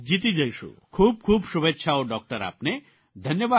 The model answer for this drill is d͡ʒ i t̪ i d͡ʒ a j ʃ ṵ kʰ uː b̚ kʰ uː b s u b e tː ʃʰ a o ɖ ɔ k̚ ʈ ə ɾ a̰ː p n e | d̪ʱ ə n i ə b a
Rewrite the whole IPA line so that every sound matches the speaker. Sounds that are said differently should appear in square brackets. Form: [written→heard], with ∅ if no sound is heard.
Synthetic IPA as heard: d͡ʒ i t̪ i d͡ʒ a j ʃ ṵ kʰ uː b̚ kʰ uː b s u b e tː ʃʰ a o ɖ ɔ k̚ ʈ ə ɾ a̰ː p n e | d̪ʱ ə n [i→j] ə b a